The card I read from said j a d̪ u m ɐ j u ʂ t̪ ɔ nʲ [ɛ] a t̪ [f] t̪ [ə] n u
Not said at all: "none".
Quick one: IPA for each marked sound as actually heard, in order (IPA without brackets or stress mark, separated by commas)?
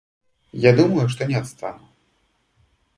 ɛ, s, a